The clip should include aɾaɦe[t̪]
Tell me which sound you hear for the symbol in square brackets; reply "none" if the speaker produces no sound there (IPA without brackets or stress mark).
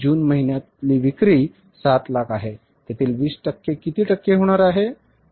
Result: none